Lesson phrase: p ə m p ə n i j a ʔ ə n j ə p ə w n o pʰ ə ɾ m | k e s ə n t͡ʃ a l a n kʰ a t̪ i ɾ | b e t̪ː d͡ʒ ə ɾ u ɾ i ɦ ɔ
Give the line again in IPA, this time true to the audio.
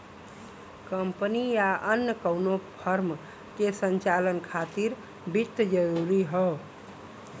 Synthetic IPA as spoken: k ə m p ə n i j a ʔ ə n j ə k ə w n o pʰ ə ɾ m | k e s ə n t͡ʃ a l ə n kʰ a t̪ i ɾ | b i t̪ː d͡ʒ ə ɾ u ɾ i ɦ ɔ